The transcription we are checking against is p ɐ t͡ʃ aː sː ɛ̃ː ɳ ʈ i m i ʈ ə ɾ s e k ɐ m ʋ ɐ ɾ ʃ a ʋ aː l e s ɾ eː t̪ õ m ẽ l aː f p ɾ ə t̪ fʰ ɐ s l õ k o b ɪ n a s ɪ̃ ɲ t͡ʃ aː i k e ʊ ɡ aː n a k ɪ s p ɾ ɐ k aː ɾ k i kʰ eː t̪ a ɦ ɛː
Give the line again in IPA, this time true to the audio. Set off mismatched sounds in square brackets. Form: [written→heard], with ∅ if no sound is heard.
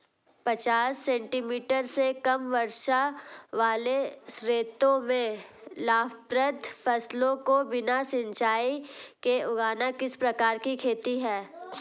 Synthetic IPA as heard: p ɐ t͡ʃ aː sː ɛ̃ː ɳ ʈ i m [i→iː] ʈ ə ɾ s e k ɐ m ʋ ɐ ɾ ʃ a ʋ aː l e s ɾ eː t̪ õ m ẽ l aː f p ɾ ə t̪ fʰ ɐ s l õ k o b ɪ n a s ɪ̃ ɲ t͡ʃ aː i k e ʊ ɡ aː n a k ɪ s p ɾ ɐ k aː ɾ k i kʰ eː t̪ [a→i] ɦ ɛː